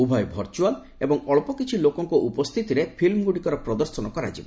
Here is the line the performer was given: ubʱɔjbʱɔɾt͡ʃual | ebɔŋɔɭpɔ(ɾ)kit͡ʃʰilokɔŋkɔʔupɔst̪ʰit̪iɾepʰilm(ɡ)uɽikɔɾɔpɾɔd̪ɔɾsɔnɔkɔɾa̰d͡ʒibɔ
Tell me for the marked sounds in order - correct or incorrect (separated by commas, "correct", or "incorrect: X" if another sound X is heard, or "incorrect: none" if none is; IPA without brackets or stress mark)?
incorrect: none, correct